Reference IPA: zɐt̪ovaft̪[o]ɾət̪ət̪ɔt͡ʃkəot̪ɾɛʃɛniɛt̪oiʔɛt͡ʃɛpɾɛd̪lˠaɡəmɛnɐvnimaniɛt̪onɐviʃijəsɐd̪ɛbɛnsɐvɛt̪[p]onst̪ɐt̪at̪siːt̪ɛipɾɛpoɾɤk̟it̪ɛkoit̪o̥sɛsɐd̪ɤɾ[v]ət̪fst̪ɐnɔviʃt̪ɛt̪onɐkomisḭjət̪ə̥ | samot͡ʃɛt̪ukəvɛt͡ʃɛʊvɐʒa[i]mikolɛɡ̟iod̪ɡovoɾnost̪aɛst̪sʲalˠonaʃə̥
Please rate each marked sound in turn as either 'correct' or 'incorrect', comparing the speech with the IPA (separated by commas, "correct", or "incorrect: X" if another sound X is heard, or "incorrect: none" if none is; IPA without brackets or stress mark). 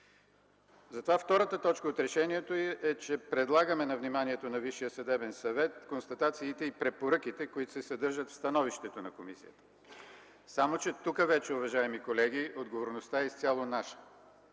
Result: incorrect: ɔ, incorrect: k, incorrect: ʒ, incorrect: ɛ